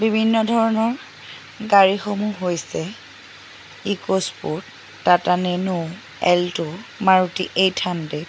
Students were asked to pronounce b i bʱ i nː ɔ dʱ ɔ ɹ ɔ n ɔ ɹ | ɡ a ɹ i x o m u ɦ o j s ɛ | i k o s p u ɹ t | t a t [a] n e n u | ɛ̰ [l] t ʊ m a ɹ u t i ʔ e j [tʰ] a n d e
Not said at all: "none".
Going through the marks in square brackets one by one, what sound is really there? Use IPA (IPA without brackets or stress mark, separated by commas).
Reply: a, l, tʰ